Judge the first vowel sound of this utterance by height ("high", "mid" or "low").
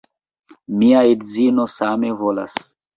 high